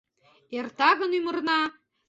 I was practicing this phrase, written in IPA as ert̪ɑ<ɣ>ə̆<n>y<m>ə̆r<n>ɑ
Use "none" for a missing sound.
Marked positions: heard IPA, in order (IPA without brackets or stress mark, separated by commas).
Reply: ɣ, n, m, n